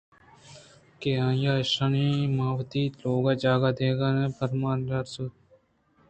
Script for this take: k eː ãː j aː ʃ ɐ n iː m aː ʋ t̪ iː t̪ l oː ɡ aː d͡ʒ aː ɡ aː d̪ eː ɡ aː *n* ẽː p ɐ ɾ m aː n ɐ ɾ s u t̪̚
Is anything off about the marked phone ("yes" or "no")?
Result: no